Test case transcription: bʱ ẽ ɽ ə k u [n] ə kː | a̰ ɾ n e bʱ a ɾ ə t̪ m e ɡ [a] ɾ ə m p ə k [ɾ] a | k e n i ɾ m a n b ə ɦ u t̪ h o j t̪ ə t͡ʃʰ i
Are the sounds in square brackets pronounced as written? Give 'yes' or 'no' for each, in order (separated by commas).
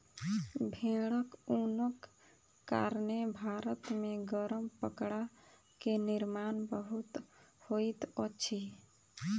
yes, no, no